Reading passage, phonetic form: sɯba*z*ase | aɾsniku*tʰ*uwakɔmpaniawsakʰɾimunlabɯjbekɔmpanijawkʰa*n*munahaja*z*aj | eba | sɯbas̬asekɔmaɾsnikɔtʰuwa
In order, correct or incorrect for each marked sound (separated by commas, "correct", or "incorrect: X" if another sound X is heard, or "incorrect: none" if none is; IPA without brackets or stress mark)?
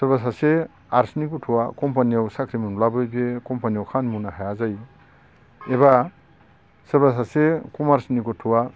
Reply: incorrect: s, correct, correct, correct